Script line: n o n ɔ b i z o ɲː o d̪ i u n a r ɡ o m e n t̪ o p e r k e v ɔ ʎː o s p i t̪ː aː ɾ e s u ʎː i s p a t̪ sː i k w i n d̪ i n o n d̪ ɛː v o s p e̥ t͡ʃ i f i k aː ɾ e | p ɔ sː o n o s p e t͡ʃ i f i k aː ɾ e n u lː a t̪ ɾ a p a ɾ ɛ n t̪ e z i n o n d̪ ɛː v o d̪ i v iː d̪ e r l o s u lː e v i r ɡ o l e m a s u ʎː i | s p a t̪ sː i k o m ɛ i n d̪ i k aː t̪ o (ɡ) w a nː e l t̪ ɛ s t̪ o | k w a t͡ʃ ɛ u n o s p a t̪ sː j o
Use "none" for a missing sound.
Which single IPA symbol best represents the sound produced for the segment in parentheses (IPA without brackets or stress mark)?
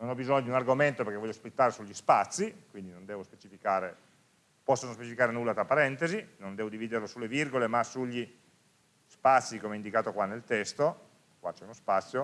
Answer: k